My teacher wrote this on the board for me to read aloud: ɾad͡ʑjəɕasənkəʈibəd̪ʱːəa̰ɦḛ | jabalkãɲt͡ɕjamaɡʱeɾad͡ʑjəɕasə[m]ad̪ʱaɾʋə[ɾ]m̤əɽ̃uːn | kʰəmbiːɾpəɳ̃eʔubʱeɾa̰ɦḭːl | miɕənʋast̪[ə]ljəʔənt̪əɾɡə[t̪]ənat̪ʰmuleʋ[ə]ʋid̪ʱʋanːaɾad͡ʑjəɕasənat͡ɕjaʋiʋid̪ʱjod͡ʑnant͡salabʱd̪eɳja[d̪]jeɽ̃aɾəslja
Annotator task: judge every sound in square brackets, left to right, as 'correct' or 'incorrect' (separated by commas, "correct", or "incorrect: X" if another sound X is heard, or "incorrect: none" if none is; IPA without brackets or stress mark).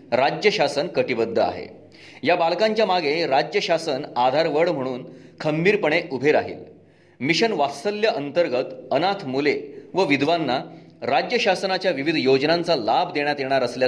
incorrect: n, incorrect: ɽ, correct, correct, correct, incorrect: t̪